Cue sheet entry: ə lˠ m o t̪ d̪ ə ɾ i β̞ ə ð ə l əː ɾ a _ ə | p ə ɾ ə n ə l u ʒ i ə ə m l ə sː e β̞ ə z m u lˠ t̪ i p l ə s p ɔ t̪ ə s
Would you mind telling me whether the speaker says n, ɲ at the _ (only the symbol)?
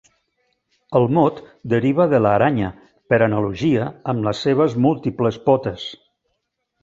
ɲ